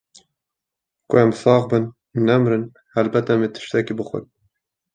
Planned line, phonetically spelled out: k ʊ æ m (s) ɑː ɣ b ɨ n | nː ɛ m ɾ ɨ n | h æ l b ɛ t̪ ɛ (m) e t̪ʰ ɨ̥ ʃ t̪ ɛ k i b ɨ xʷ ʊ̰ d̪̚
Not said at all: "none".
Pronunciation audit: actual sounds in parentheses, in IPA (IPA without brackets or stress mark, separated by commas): s, m